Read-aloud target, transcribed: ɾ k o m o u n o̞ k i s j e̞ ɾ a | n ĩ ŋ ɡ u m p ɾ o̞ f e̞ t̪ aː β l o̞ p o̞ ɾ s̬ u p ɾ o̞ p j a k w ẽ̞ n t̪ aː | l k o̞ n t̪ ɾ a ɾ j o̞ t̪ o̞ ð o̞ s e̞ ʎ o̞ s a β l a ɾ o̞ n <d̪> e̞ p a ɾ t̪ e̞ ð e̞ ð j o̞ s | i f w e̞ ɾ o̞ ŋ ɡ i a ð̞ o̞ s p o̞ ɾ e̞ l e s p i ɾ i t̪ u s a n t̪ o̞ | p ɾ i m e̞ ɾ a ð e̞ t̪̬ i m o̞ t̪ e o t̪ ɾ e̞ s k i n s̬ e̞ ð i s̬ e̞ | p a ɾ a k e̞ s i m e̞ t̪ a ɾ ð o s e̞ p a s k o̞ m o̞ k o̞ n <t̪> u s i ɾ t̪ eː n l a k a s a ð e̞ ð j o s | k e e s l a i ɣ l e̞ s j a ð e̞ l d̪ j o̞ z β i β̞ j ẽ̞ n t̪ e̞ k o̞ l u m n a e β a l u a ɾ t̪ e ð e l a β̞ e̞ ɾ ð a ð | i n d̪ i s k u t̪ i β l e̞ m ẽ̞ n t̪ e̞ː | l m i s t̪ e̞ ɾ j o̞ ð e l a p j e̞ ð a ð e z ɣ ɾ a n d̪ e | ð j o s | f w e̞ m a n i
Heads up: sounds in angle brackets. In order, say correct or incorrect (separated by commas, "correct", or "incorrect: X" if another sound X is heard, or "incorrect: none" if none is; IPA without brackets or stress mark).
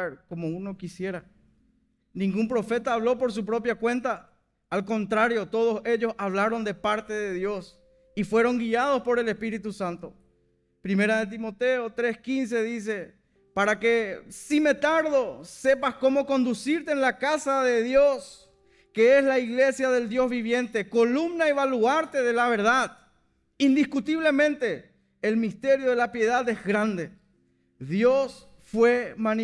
correct, incorrect: d̪